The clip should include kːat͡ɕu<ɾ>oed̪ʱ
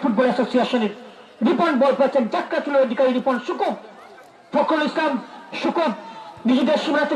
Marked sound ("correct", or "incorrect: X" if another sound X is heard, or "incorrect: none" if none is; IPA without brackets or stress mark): incorrect: l